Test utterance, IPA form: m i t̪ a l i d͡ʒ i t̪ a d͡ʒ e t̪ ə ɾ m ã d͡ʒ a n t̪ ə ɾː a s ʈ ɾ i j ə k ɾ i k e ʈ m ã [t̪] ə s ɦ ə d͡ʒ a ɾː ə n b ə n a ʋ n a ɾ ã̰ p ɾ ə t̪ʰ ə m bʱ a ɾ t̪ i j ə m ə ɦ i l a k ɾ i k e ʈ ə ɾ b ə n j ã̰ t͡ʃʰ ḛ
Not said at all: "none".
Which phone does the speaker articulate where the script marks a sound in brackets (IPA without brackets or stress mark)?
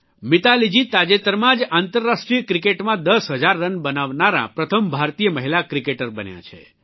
d̪